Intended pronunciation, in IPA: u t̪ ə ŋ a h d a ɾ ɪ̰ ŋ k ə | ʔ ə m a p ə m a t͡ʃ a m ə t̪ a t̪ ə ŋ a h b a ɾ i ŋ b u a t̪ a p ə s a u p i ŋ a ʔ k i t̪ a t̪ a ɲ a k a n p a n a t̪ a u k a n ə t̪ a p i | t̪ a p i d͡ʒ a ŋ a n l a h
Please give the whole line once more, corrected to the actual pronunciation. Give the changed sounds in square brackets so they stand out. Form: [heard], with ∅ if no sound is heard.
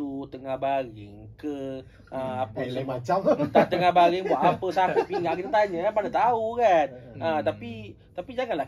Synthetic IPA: u t̪ ə ŋ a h [b] a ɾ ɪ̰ ŋ k ə | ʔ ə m a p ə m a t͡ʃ a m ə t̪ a t̪ ə ŋ a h b a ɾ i ŋ b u a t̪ a p ə s a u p i ŋ a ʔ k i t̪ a t̪ a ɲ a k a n p a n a t̪ a u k a n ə t̪ a p i | t̪ a p i d͡ʒ a ŋ a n l a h